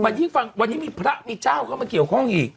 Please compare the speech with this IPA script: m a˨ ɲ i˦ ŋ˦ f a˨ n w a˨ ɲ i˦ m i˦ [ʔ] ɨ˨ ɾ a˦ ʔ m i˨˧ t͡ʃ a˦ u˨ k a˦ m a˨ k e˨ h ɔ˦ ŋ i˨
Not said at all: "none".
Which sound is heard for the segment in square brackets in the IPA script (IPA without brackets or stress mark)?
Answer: p